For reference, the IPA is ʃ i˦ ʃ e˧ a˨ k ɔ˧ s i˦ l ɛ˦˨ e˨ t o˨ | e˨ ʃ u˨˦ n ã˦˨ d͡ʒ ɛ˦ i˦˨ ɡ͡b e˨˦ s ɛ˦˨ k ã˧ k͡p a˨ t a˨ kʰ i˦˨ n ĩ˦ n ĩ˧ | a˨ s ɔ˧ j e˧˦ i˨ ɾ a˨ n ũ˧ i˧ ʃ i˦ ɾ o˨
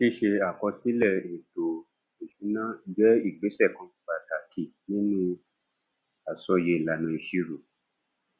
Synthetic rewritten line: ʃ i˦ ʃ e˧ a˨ k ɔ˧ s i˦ l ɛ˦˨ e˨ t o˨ | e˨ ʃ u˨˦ n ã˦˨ d͡ʒ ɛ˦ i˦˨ ɡ͡b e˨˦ s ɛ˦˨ k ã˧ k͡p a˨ t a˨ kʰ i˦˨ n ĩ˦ n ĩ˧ | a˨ s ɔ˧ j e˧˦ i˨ l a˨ n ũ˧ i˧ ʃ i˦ ɾ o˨